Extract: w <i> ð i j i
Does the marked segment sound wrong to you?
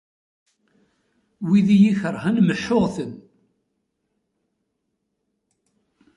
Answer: no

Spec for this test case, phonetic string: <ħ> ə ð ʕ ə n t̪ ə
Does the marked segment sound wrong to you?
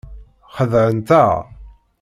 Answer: yes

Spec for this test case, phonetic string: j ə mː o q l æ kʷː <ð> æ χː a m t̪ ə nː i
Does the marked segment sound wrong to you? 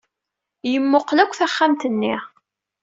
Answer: yes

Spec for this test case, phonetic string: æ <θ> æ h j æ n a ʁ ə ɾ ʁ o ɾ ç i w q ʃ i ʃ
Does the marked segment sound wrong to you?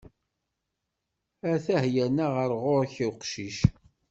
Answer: no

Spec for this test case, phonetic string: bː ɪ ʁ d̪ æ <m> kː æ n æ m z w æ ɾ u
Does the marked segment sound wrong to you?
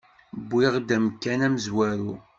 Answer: no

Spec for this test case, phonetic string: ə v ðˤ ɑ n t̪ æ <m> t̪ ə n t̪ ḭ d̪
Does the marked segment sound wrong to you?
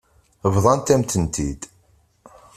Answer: no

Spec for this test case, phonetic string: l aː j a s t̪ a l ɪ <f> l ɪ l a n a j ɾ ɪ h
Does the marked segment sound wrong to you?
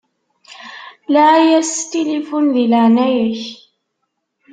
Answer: no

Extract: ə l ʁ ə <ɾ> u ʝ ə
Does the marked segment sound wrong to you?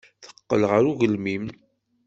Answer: no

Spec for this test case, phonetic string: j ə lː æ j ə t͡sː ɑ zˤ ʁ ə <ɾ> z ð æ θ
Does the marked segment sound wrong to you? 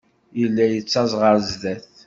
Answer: no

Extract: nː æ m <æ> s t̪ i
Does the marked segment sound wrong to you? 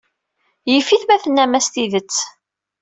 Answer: no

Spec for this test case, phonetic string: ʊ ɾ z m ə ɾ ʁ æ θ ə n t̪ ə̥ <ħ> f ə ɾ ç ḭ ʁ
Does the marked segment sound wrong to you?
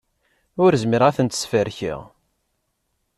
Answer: yes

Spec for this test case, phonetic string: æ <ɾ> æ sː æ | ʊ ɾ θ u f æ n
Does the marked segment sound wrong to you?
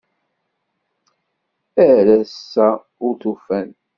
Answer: no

